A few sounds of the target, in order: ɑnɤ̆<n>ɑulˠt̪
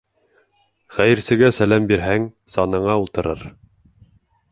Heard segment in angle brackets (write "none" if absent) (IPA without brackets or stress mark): ɴ